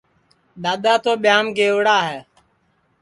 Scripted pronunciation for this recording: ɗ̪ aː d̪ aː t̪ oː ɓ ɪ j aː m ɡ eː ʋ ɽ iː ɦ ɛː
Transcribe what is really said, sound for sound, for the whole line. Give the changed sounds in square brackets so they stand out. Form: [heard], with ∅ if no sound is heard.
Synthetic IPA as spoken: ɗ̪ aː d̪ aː t̪ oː ɓ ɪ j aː m ɡ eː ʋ ɽ [aː] ɦ ɛː